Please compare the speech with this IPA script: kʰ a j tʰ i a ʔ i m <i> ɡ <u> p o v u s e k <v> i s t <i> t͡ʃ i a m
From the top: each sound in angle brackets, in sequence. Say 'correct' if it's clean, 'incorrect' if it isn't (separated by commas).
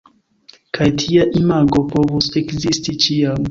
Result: incorrect, incorrect, incorrect, correct